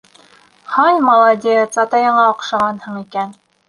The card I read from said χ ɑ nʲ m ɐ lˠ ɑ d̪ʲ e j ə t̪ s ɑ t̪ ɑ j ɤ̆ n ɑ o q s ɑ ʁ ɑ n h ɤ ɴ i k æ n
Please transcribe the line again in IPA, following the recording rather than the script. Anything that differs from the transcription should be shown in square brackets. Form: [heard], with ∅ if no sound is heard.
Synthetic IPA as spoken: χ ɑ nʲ m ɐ lˠ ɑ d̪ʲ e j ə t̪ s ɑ t̪ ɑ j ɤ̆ [ɴ] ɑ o q [ʃ] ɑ ʁ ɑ n h ɤ ɴ i k æ n

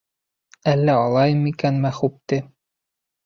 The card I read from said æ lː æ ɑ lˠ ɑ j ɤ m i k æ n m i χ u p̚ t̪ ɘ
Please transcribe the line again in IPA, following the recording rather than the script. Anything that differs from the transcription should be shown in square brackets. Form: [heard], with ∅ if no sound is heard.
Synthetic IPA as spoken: æ lː æ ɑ lˠ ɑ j ɤ m i k æ n m [æ] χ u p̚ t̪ ɘ

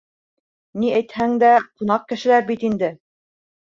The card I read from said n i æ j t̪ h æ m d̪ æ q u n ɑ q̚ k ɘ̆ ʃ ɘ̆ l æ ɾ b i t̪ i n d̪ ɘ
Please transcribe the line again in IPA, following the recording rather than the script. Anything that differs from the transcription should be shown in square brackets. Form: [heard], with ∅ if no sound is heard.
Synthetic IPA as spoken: n i æ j t̪ h æ [ŋ] d̪ æ q u n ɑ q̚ k ɘ̆ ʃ ɘ̆ l æ ɾ b i t̪ i n d̪ ɘ

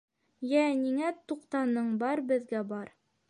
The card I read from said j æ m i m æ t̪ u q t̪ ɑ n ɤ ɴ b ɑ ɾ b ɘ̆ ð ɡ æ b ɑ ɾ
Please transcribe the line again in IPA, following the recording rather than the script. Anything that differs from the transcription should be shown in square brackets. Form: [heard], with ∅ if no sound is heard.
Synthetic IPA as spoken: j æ [n] i [ŋ] æ t̪ u q t̪ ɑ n ɤ ɴ b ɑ ɾ b ɘ̆ ð ɡ æ b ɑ ɾ

